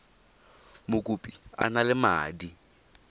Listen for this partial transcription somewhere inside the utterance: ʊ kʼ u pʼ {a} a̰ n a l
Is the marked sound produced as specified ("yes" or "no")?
no